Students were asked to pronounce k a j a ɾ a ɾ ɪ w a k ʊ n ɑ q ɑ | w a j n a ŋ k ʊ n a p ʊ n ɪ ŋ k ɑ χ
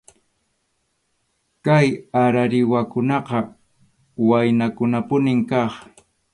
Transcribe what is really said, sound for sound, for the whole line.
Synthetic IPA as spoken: k a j a ɾ a ɾ ɪ w a k ʊ n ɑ q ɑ | w a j n a k ʊ n a p ʊ n ɪ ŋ k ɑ χ